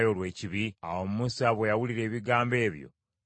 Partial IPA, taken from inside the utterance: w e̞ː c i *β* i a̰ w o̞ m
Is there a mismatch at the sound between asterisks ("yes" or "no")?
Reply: no